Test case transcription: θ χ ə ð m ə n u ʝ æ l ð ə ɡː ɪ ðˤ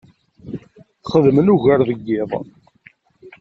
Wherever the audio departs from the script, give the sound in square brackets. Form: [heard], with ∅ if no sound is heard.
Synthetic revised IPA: θ χ ə ð m ə n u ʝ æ [ɾ] ð ə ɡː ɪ ðˤ